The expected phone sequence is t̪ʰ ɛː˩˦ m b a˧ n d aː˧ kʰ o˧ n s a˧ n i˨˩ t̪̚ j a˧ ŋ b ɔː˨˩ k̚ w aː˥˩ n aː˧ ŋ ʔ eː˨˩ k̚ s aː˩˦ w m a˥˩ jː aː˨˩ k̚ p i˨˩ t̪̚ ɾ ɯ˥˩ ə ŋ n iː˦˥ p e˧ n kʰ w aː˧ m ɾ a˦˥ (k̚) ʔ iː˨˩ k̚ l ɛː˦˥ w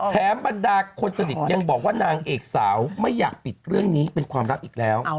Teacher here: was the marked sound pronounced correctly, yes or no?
no